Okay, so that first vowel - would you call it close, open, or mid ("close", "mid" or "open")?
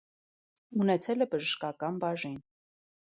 close